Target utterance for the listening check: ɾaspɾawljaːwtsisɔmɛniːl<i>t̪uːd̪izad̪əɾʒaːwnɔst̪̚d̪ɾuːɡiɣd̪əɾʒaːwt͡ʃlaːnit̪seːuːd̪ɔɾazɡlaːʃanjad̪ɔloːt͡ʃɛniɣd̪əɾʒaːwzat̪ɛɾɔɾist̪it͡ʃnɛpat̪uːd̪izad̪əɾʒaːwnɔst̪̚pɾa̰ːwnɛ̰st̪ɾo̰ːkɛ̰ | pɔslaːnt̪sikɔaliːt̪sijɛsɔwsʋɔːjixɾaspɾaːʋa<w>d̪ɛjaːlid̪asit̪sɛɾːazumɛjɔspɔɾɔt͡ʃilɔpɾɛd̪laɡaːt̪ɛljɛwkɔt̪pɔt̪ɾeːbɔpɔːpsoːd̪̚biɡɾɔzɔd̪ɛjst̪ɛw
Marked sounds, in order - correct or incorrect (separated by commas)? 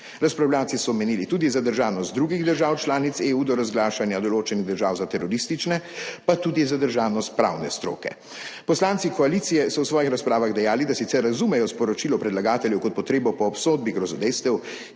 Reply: correct, incorrect